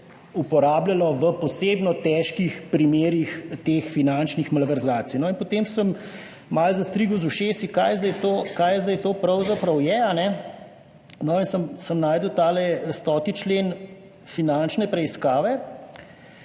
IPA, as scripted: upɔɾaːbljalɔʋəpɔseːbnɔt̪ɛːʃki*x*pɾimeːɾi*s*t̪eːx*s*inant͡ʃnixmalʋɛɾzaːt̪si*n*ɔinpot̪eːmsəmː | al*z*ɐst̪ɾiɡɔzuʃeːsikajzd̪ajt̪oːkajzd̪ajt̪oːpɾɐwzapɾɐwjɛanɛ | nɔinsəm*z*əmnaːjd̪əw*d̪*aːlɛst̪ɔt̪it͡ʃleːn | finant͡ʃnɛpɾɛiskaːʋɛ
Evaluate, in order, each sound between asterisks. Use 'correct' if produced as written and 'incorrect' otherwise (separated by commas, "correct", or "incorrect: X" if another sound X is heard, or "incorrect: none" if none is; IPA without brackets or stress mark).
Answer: correct, incorrect: x, incorrect: f, correct, correct, incorrect: s, incorrect: t̪